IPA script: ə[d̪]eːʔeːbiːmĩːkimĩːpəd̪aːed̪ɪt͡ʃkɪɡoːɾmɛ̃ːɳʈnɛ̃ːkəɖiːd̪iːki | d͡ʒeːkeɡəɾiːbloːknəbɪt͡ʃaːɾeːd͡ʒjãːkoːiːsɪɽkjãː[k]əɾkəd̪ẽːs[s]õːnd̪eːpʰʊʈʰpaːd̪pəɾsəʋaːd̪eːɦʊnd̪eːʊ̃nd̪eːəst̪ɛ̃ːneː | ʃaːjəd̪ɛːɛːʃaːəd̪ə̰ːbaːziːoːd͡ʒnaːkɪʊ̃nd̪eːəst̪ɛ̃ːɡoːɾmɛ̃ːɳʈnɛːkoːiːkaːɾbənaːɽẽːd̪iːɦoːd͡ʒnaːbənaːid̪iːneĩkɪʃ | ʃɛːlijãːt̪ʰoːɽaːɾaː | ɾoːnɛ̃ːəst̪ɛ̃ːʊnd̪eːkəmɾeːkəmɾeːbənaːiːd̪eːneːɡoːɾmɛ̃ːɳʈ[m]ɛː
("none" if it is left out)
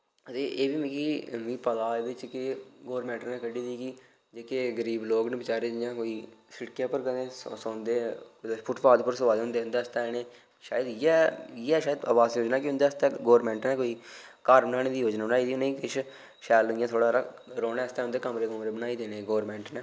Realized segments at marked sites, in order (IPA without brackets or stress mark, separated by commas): t̪, p, s, n